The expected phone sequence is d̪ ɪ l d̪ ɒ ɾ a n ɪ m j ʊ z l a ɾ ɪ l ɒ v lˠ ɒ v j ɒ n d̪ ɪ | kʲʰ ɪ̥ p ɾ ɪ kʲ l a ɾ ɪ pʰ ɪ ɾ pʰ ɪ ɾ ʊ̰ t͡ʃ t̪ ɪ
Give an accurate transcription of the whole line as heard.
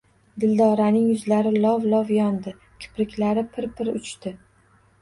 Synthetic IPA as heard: d̪ ɪ l d̪ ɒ ɾ a n ɪ ŋ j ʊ z l a ɾ ɪ l ɒ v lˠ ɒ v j ɒ n d̪ ɪ | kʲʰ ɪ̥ p ɾ ɪ kʲ l a ɾ ɪ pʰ ɪ ɾ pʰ ɪ ɾ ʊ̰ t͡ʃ t̪ ɪ